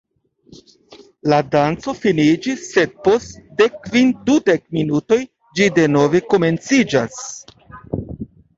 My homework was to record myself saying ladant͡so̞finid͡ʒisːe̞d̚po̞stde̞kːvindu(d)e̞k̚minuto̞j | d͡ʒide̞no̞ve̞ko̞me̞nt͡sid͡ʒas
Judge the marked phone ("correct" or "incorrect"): correct